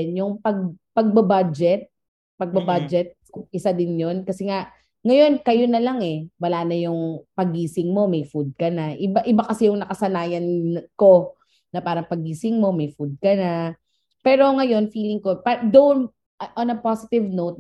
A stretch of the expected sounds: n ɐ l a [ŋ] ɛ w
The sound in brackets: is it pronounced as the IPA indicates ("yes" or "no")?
yes